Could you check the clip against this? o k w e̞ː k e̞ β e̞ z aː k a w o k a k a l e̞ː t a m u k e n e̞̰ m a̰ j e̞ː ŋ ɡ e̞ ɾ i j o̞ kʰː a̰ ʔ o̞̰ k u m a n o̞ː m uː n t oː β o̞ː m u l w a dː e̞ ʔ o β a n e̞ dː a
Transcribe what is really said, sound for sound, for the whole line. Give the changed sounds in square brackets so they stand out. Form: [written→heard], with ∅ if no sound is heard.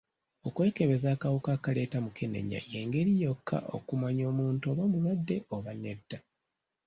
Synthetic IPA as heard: o k w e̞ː k e̞ β e̞ z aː k a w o k a k a l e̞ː t a m u k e n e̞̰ [m→ɲ] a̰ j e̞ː ŋ ɡ e̞ ɾ i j o̞ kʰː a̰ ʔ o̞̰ k u m a [n→ɲ] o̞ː m uː n t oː β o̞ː m u l w a dː e̞ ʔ o β a n e̞ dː a